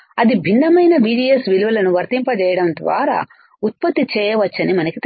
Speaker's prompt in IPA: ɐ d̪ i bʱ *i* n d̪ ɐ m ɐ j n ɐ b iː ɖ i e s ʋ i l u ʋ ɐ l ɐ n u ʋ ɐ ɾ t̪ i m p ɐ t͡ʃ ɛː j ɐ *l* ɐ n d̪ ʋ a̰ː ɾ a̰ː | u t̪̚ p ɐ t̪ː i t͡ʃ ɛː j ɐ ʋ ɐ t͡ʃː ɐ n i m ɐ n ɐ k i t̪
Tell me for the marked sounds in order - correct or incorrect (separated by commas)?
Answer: correct, incorrect